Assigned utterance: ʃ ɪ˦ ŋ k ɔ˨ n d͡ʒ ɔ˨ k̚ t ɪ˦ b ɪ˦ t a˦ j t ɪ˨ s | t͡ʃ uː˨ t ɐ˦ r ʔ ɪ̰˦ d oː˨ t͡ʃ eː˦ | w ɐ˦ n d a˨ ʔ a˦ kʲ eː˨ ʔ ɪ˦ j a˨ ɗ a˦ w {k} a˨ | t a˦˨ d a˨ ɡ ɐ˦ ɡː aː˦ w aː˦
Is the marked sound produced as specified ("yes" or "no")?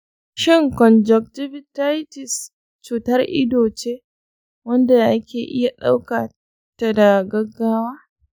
yes